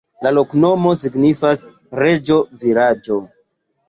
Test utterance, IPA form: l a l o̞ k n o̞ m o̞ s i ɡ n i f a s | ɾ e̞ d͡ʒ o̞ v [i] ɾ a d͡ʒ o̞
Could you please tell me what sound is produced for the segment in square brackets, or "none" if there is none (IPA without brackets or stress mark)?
i